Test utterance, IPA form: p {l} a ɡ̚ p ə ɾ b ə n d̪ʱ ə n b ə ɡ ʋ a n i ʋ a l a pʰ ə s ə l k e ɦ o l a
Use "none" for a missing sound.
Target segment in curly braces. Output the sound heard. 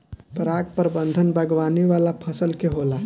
ɾ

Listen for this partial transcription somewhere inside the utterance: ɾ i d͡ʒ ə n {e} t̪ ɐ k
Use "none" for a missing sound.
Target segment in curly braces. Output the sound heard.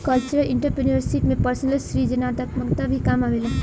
a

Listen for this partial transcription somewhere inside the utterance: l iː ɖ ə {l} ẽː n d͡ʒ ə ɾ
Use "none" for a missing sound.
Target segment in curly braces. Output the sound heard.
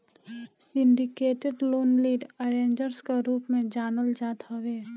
ɾ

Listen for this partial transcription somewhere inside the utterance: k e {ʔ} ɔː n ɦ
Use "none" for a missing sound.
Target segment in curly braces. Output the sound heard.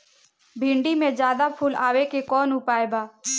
k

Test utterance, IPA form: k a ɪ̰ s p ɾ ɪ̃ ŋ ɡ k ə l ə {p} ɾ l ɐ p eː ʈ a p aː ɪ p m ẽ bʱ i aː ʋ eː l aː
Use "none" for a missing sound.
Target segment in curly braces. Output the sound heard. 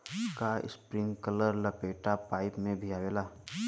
none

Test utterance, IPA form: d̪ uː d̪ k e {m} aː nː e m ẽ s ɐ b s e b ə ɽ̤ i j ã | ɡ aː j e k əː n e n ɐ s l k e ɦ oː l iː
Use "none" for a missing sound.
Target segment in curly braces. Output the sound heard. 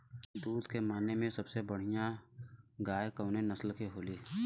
m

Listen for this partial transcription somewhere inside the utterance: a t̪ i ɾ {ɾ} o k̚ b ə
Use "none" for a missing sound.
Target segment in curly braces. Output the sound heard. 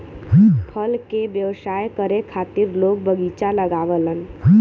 l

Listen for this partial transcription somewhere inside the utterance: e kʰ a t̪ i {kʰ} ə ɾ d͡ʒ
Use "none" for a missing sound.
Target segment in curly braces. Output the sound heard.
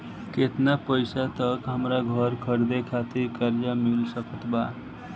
k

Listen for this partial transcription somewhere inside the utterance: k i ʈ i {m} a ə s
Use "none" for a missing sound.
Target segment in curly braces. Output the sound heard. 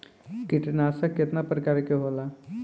n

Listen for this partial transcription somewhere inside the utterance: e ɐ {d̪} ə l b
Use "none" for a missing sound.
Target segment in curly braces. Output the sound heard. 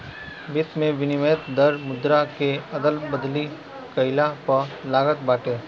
d̪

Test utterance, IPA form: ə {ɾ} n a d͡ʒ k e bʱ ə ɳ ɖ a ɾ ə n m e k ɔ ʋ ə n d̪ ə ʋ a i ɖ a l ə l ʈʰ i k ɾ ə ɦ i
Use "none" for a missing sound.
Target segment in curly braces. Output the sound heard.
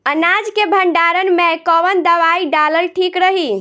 none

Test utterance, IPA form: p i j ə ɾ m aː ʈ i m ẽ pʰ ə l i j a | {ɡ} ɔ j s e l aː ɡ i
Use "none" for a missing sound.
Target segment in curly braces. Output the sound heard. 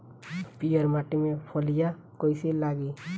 k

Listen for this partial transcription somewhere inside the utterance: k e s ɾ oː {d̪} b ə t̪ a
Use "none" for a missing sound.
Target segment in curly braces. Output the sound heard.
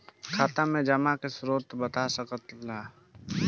t̪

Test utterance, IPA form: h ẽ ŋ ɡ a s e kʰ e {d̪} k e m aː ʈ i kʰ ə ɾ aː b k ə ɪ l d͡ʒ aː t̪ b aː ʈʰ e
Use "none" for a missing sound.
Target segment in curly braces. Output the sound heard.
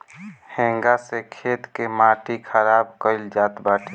t̪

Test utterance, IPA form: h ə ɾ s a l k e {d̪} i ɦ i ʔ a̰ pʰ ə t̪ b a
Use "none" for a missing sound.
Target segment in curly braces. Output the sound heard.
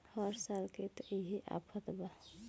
t̪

